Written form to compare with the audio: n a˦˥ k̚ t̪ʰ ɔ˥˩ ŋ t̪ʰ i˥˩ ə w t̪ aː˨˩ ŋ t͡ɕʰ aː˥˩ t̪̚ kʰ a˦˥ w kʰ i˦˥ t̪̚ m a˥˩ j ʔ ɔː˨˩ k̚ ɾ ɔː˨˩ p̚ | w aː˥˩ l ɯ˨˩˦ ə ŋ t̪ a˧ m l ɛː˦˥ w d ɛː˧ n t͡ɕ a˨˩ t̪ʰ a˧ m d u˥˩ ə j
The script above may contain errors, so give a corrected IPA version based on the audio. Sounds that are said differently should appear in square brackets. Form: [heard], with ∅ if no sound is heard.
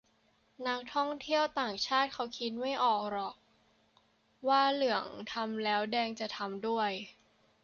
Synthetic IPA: n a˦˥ k̚ t̪ʰ ɔ˥˩ ŋ t̪ʰ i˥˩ ə w t̪ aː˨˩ ŋ t͡ɕʰ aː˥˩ t̪̚ kʰ a˦˥ w kʰ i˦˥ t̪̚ m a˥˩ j ʔ ɔː˨˩ k̚ ɾ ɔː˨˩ [k̚] | w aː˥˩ l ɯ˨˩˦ ə ŋ [t̪ʰ] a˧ m l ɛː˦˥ w d ɛː˧ [ŋ] t͡ɕ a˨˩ t̪ʰ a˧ m d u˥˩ ə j